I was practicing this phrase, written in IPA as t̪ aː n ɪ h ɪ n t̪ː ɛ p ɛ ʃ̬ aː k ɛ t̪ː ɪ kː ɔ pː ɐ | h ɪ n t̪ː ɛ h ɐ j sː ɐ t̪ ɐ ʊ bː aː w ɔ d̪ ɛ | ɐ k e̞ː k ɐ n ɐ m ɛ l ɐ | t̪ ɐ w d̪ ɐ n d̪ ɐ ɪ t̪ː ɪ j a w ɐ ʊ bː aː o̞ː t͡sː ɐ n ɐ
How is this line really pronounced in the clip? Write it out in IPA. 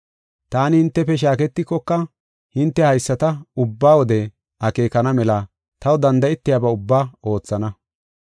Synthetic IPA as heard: t̪ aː n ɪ h ɪ n t̪ː ɛ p ɛ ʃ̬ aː k ɛ t̪ː ɪ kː ɔ kː ɐ | h ɪ n t̪ː ɛ h ɐ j sː ɐ t̪ ɐ ʊ bː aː w ɔ d̪ ɛ | ɐ k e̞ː k ɐ n ɐ m ɛ l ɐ | t̪ ɐ w d̪ ɐ n d̪ ɐ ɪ t̪ː ɪ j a b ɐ ʊ bː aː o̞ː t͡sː ɐ n ɐ

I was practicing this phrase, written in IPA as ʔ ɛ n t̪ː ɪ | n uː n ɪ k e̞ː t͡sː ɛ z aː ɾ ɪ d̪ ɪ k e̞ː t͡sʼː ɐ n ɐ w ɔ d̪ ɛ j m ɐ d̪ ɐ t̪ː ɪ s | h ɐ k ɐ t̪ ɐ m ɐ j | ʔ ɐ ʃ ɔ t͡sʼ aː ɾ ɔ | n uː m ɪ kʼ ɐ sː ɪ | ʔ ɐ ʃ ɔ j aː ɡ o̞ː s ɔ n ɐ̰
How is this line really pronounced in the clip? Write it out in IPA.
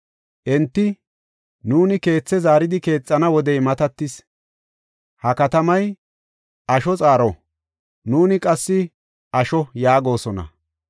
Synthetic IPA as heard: ʔ ɛ n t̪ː ɪ | n uː n ɪ k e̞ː t͡sː ɛ z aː ɾ ɪ d̪ ɪ k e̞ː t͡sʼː ɐ n ɐ w ɔ d̪ ɛ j m ɐ t̪ ɐ t̪ː ɪ s | h ɐ k ɐ t̪ ɐ m ɐ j | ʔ ɐ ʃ ɔ t͡sʼ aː ɾ ɔ | n uː n ɪ kʼ ɐ sː ɪ | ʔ ɐ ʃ ɔ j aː ɡ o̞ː s ɔ n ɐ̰

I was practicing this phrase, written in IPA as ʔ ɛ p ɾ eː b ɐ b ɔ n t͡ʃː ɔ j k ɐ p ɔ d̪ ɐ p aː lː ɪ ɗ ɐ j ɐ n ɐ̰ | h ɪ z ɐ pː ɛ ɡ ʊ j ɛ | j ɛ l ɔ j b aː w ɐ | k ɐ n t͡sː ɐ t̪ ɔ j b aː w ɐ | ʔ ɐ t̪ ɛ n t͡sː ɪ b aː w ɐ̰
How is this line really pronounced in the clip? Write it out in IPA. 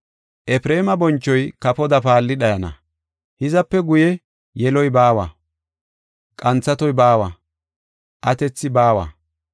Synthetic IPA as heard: ʔ ɛ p ɾ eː m ɐ b ɔ n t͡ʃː ɔ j k ɐ p ɔ d̪ ɐ p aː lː ɪ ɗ ɐ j ɐ n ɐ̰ | h ɪ z ɐ pː ɛ ɡ ʊ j ɛ | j ɛ l ɔ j b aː w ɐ | kʼ ɐ n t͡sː ɐ t̪ ɔ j b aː w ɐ | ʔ ɐ t̪ ɛ t͡sː ɪ b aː w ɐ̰

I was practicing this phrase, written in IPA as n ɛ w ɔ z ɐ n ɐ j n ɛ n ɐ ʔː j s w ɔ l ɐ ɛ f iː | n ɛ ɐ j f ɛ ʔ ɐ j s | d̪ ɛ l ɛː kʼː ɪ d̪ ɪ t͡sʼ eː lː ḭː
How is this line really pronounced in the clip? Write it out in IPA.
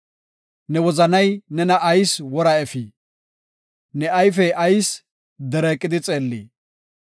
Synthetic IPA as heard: n ɛ w ɔ z ɐ n ɐ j n ɛ n ɐ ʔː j s w ɔ ɾ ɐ ɛ f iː | n ɛ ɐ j f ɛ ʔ ɐ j s | d̪ ɛ ɾ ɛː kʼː ɪ d̪ ɪ t͡sʼ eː lː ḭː

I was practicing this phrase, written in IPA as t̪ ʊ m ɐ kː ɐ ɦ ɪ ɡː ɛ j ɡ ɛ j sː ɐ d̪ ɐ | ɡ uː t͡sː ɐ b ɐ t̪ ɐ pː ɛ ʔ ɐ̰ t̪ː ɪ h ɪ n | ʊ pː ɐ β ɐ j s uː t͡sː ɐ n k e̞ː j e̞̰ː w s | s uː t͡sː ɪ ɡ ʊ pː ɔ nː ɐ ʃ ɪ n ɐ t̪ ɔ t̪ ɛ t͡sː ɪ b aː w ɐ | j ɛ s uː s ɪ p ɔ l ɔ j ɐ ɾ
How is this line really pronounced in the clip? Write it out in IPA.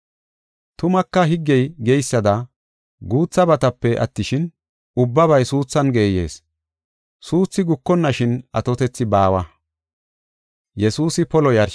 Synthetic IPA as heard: t̪ ʊ m ɐ kː ɐ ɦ ɪ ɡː ɛ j ɡ ɛ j sː ɐ d̪ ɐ | ɡ uː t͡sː ɐ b ɐ t̪ ɐ pː ɛ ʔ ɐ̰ t̪ː ɪ ʃ ɪ n | ʊ bː ɐ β ɐ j s uː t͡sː ɐ n ɡ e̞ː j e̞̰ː s | s uː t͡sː ɪ ɡ ʊ kː ɔ nː ɐ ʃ ɪ n ɐ t̪ ɔ t̪ ɛ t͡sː ɪ b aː w ɐ | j ɛ s uː s ɪ p ɔ l ɔ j ɐ ɾ

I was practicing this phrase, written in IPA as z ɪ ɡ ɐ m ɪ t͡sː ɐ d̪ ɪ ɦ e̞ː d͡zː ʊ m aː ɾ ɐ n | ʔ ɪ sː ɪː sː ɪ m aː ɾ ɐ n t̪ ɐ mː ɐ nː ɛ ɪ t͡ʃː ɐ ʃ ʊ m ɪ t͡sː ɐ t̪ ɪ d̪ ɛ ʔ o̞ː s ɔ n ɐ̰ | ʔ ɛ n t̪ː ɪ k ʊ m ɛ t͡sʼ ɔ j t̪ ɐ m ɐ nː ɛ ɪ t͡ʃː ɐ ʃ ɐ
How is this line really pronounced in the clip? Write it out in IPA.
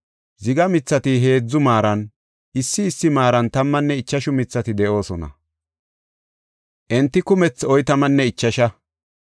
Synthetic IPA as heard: z ɪ ɡ ɐ m ɪ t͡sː ɐ t̪ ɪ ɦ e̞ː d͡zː ʊ m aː ɾ ɐ n | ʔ ɪ sː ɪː sː ɪ m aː ɾ ɐ n t̪ ɐ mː ɐ nː ɛ ɪ t͡ʃː ɐ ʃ ʊ m ɪ t͡sː ɐ t̪ ɪ d̪ ɛ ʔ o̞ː s ɔ n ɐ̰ | ʔ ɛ n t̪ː ɪ k ʊ m ɛ t͡s ɔ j t̪ ɐ m ɐ nː ɛ ɪ t͡ʃː ɐ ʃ ɐ

